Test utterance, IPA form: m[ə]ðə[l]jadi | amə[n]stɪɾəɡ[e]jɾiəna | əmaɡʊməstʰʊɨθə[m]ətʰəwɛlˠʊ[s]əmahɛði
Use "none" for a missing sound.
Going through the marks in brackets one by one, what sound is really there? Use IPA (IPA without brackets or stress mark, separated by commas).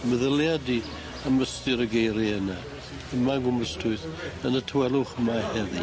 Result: ə, l, none, e, n, χ